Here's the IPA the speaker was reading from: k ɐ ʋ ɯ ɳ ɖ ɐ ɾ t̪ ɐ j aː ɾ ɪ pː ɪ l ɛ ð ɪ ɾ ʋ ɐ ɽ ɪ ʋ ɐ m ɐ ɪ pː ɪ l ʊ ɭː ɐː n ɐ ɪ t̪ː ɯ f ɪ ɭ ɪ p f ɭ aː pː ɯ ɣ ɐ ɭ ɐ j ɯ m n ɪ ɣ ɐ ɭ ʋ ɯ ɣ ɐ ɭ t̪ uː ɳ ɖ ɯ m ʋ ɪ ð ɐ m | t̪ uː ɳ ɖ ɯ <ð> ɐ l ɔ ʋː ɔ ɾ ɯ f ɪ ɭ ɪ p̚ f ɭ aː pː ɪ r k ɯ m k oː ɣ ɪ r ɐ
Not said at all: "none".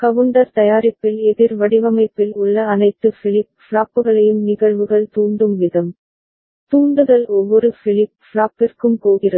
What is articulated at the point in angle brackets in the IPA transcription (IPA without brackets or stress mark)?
ð